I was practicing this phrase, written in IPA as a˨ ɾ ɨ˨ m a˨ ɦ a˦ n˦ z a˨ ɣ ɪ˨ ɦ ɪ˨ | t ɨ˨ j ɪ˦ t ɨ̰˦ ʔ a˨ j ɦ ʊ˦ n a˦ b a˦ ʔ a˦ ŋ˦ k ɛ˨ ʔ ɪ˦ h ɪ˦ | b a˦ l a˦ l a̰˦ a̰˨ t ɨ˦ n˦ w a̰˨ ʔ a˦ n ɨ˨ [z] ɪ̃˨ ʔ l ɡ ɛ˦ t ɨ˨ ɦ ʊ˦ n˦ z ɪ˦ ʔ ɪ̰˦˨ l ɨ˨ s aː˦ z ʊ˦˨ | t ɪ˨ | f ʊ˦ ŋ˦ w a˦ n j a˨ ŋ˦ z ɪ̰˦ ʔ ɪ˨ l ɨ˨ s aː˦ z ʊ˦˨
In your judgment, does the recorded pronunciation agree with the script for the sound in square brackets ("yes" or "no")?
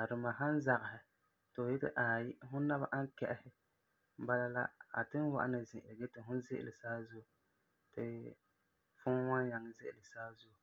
yes